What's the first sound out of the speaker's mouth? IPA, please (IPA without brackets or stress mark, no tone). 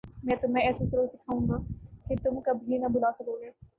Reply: m